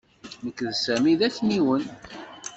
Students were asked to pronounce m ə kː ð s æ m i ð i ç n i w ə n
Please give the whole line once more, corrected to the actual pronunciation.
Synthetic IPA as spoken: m ə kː ð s æ m i ð æ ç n i w ə n